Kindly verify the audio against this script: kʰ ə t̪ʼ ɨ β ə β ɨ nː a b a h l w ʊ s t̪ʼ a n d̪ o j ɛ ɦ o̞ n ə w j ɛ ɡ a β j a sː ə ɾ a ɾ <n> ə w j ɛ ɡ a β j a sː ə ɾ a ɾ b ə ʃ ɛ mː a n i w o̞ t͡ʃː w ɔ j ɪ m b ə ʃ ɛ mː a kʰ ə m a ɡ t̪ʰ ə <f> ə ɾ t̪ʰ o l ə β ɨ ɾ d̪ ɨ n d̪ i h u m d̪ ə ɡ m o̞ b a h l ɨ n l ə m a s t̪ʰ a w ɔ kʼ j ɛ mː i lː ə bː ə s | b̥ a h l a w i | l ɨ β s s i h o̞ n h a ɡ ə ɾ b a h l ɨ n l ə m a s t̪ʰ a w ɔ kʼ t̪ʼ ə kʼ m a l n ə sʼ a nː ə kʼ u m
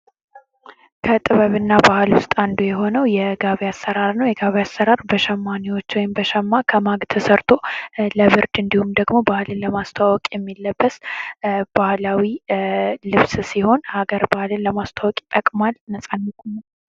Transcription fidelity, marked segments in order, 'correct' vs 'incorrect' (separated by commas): correct, incorrect